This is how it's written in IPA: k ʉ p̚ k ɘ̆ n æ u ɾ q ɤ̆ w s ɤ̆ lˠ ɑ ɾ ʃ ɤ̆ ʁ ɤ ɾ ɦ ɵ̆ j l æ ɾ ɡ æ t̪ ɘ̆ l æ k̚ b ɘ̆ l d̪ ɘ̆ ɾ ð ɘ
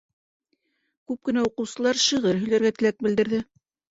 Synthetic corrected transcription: k ʉ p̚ k ɘ̆ n æ u q ɤ̆ w s ɤ̆ lˠ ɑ ɾ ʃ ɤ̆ ʁ ɤ ɾ ɦ ɵ̆ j l æ ɾ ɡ æ t̪ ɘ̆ l æ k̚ b ɘ̆ l d̪ ɘ̆ ɾ ð ɘ